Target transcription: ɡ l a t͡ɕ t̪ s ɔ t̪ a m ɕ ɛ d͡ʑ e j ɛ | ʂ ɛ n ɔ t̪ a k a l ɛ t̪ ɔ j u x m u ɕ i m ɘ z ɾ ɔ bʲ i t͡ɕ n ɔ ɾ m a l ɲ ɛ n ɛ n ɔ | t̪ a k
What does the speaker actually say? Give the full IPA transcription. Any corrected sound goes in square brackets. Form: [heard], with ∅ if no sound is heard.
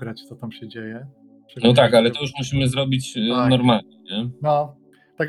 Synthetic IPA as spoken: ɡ [ɾ] a t͡ɕ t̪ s ɔ t̪ a m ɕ ɛ d͡ʑ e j ɛ | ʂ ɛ n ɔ t̪ a k a l ɛ t̪ ɔ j u [ʂ] m u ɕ i m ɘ z ɾ ɔ bʲ i t͡ɕ n ɔ ɾ m a l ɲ ɛ [ɲ] ɛ n ɔ | t̪ a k